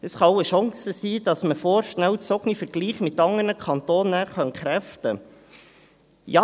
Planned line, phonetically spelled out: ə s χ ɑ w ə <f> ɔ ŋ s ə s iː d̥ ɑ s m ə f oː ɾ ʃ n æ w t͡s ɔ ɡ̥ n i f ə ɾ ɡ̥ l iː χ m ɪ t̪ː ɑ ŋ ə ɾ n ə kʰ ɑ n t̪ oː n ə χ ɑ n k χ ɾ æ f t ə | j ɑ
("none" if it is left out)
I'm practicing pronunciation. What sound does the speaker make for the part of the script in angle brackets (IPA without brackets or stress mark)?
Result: ʃ